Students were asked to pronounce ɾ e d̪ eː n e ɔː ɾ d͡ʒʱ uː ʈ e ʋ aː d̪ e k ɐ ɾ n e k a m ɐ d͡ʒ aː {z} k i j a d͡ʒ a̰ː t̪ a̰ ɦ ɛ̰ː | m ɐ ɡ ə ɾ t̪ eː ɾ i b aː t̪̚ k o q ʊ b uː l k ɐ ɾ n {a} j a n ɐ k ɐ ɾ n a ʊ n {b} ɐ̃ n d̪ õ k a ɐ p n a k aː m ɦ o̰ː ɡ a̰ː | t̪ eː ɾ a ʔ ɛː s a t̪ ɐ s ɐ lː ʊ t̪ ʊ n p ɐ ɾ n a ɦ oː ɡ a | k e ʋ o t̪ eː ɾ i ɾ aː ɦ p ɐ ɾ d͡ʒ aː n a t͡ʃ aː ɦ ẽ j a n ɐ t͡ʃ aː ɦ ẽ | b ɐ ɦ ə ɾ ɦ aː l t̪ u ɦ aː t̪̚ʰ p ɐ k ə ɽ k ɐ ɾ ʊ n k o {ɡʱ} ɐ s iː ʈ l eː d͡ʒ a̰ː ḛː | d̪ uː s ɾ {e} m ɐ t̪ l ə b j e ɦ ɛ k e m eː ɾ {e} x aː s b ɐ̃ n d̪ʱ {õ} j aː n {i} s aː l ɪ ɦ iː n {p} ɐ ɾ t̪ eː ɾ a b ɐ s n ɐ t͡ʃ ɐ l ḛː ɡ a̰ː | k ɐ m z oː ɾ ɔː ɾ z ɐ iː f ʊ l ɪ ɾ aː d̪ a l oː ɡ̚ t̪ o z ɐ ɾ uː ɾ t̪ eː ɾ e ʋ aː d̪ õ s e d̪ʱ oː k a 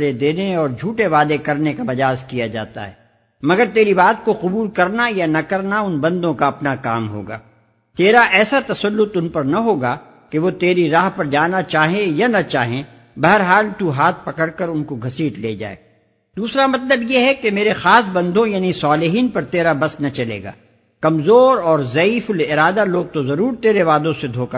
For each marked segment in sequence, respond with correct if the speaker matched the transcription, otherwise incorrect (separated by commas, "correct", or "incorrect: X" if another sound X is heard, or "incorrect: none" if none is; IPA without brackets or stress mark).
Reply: correct, correct, correct, correct, incorrect: a, correct, correct, correct, correct